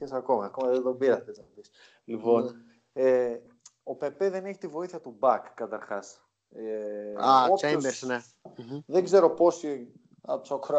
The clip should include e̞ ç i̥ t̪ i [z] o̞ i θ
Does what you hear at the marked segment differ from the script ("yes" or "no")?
yes